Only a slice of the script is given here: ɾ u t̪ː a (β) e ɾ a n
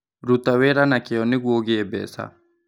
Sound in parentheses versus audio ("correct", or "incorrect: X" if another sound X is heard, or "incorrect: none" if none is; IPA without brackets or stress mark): incorrect: w